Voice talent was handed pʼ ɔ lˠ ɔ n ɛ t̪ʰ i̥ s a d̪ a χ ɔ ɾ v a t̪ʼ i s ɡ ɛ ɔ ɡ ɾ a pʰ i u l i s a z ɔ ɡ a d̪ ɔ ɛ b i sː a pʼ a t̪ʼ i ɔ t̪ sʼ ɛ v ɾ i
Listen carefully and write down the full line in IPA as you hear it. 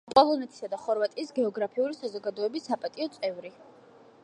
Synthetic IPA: pʼ ɔ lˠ ɔ n ɛ t̪ʰ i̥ s a d̪ a χ ɔ ɾ v a t̪ʼ iː s ɡ ɛ ɔ ɡ ɾ a pʰ i u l i s a z ɔ ɡ a d̪ ɔ ɛ b i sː a pʼ a t̪ʼ i ɔ t̪ sʼ ɛ v ɾ i